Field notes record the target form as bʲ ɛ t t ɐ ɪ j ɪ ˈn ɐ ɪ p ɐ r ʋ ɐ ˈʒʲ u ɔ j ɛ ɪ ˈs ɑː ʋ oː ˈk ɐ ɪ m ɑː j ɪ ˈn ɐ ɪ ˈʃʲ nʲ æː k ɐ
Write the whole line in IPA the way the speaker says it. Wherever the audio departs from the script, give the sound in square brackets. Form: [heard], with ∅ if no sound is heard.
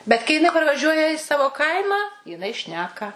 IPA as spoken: bʲ ɛ t [k] ɐ ɪ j ɪ ˈn ɐ ɪ p ɐ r ʋ ɐ ˈʒʲ u ɔ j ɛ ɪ ˈs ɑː ʋ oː ˈk ɐ ɪ m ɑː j ɪ ˈn ɐ ɪ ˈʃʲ nʲ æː k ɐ